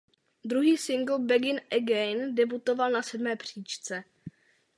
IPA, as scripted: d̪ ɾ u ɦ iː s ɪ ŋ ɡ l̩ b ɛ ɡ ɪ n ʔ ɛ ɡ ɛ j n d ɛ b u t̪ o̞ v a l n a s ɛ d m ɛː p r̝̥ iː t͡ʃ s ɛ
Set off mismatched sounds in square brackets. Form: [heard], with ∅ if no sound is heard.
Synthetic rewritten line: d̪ ɾ u ɦ iː s ɪ ŋ ɡ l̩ b ɛ ɡ ɪ n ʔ ɛ ɡ ɛ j n d ɛ b u t̪ o̞ v a l n a s ɛ d m ɛː p r̝̥ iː t͡ʃ [t͡s] ɛ